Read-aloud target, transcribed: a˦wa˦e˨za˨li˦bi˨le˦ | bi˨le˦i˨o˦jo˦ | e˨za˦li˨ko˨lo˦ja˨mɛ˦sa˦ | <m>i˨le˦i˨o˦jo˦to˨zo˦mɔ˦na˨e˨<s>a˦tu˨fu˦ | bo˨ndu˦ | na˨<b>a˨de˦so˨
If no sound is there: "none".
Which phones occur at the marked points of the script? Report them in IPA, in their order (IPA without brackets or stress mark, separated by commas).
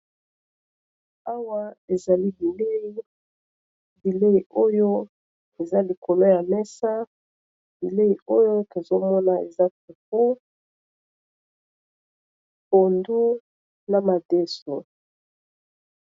b, z, m